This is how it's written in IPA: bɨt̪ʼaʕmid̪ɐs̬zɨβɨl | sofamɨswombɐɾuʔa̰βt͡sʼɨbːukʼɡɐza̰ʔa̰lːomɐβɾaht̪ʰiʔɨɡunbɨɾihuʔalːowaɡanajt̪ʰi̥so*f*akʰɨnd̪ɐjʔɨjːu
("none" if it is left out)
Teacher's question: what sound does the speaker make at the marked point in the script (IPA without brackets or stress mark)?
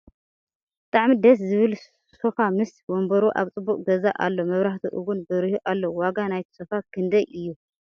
f